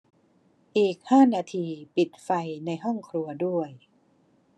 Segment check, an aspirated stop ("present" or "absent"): present